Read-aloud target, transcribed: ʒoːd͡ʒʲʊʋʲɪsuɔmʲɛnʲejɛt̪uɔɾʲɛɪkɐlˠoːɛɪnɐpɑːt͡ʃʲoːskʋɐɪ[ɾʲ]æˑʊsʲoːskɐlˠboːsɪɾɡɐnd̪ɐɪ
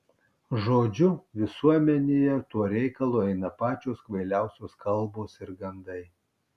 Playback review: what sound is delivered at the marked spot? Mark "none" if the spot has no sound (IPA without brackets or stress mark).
lʲ